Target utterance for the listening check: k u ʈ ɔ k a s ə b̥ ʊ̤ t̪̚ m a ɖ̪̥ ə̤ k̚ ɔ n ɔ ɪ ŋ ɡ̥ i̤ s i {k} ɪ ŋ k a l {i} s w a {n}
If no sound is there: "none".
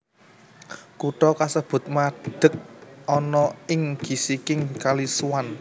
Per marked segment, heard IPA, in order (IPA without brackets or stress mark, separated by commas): k, i, n